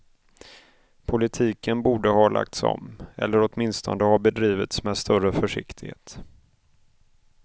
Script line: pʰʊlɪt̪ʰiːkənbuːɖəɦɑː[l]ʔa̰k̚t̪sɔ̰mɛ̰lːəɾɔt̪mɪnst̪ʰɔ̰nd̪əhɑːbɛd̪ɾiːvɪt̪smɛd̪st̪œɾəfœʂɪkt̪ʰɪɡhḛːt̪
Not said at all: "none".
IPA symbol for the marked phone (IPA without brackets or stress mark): l